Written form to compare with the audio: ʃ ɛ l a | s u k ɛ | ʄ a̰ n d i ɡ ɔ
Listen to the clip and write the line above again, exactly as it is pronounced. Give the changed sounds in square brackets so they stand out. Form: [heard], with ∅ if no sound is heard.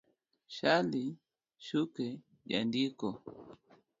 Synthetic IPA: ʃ [a] l [i] | [ʃ] u k ɛ | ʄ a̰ n d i [k] ɔ